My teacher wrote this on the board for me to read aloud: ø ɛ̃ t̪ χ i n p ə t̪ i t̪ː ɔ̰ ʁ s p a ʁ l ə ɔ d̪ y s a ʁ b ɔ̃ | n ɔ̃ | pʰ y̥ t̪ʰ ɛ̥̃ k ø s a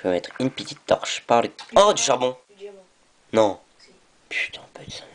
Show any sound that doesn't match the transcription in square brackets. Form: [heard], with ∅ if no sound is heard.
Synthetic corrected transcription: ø [ɛ] t̪ χ [y] n p ə t̪ i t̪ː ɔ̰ ʁ [ʃ] p a ʁ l ə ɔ d̪ y [ʃ] a ʁ b ɔ̃ | n ɔ̃ | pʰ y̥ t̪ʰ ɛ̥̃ [p] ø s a